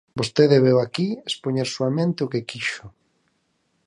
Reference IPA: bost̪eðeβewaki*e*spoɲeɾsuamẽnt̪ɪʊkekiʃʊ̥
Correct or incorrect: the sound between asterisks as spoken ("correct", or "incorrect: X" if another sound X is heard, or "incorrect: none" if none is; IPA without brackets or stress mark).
correct